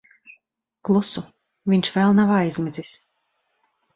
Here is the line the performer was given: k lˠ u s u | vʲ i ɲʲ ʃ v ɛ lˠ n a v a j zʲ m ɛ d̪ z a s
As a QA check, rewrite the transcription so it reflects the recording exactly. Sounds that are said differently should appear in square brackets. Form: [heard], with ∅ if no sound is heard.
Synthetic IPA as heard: k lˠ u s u | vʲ i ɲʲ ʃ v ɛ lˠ n a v a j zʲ m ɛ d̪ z [i] s